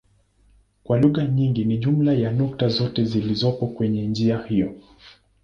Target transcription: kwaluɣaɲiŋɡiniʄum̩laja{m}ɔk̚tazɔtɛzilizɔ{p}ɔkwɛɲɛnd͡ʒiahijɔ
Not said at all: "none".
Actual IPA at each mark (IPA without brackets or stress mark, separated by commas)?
n, p